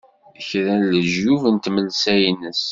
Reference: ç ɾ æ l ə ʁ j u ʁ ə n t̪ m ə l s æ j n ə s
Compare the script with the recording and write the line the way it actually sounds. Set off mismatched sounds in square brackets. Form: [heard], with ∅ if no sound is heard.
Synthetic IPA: ç ɾ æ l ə [ʒ] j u [v] ə n t̪ m ə l s æ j n ə s